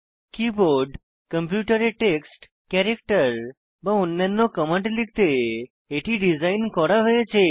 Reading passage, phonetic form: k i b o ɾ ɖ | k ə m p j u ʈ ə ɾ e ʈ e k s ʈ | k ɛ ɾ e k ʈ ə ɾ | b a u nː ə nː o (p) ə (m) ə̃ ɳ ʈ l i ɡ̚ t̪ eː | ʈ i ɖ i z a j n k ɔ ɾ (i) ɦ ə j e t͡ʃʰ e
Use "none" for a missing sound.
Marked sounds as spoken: k, m, a

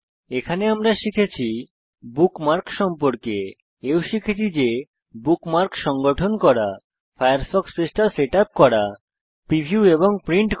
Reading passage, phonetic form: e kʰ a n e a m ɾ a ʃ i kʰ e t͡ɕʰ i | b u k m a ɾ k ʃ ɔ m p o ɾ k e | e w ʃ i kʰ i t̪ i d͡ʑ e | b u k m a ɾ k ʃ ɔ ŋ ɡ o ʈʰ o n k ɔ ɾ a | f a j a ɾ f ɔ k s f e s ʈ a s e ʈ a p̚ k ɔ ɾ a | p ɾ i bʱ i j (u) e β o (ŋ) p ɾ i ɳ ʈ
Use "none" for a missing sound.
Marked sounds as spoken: u, ŋ

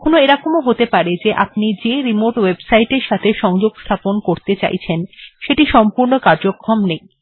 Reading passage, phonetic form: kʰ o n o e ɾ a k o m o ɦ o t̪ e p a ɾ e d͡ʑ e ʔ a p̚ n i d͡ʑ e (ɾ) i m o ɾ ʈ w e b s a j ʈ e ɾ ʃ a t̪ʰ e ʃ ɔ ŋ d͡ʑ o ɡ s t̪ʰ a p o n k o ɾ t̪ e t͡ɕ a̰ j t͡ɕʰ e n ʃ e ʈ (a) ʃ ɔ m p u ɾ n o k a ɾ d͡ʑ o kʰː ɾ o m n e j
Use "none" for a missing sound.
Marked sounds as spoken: ɾ, i

